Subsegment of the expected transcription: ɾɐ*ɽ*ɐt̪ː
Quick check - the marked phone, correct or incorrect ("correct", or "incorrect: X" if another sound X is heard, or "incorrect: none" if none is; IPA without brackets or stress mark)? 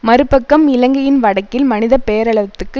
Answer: incorrect: ɭ